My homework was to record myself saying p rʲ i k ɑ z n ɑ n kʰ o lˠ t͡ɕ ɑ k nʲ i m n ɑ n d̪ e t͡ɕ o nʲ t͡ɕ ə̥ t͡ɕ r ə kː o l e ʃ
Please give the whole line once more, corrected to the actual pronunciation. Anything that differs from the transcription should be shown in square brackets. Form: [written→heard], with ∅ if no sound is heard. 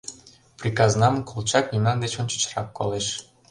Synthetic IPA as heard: p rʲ i k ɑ z n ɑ [n→m] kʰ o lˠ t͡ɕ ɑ k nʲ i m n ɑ n d̪ e t͡ɕ o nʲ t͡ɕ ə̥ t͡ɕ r [ə→ɑ] kː o l e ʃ